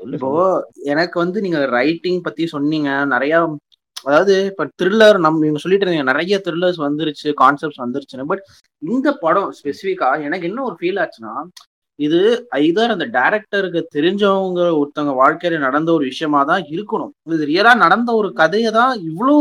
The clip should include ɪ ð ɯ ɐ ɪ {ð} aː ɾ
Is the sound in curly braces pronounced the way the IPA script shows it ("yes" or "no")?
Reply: yes